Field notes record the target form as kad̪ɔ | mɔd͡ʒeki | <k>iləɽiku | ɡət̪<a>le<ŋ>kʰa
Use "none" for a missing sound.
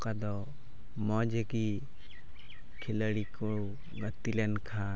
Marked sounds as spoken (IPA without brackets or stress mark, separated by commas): kʰ, i, n